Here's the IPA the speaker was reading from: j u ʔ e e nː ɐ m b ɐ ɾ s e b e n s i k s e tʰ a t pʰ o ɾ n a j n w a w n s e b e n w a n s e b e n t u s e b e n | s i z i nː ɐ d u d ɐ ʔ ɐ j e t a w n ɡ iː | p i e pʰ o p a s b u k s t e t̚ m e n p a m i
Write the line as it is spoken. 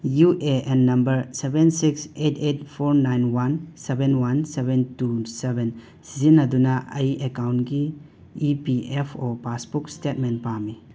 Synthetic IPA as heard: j u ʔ e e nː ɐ m b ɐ ɾ s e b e n s i k s e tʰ e t pʰ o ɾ n a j n w a n s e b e n w a n s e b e n t u s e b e n | s i z i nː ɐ d u n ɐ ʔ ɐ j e k a w n ɡ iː | p i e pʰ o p a s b u k s t e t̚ m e n p a m i